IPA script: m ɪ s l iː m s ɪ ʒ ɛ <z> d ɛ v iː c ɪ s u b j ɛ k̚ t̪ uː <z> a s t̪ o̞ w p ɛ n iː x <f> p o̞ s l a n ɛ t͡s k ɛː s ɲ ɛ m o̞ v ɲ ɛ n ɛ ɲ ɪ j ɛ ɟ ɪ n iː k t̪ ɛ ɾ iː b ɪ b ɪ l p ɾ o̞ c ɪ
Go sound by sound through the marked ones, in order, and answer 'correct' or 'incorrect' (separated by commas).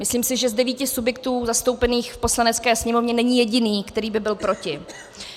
correct, correct, correct